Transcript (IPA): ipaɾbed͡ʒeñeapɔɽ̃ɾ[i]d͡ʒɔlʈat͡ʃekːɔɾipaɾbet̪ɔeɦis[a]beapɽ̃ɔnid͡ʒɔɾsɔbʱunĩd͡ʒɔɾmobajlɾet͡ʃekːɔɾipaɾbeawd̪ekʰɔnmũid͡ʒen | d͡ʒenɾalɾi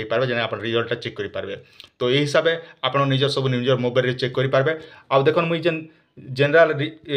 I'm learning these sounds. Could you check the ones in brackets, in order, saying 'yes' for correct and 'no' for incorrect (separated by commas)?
yes, yes